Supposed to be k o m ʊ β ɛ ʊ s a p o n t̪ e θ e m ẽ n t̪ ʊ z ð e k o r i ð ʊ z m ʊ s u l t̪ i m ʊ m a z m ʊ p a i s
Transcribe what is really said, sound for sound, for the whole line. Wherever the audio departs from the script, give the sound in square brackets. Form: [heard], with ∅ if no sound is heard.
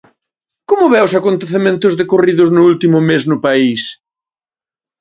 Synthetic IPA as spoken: k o m ʊ β ɛ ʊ s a [k] o n t̪ e θ e m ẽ n t̪ ʊ z ð e k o r i ð ʊ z [n] ʊ [∅] u l t̪ i m ʊ m [e] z [n] ʊ p a i s